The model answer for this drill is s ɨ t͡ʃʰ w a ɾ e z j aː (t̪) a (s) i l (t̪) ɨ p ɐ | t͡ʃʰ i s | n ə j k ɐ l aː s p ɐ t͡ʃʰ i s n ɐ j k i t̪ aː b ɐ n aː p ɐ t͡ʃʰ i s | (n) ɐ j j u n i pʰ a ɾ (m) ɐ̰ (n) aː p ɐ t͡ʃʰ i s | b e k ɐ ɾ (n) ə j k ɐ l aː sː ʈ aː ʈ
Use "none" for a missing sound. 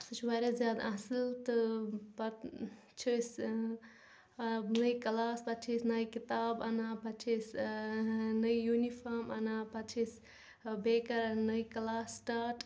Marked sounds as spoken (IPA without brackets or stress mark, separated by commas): d̪, s, t̪, n, m, n, n